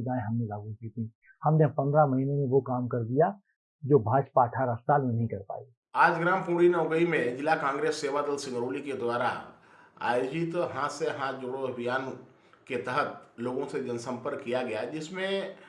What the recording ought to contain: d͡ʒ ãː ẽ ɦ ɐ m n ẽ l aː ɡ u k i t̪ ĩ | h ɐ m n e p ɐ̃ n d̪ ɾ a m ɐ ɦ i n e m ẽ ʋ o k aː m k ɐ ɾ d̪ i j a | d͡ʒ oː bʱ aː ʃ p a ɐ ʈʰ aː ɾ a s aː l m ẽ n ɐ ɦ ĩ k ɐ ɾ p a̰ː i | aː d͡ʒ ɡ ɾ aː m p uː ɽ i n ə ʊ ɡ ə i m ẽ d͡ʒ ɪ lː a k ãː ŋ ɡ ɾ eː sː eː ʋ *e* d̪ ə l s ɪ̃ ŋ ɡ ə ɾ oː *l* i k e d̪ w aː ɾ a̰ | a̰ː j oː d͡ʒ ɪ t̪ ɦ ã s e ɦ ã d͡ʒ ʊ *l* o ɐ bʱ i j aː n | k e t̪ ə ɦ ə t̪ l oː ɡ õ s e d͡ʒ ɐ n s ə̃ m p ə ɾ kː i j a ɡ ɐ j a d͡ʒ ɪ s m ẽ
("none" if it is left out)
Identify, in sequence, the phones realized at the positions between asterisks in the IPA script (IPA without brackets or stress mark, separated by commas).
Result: a, l, ɽ